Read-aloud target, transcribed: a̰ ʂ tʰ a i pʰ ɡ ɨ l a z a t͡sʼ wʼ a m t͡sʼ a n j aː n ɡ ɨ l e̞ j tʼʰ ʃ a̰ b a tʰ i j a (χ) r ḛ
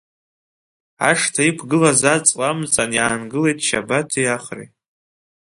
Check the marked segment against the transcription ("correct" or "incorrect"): correct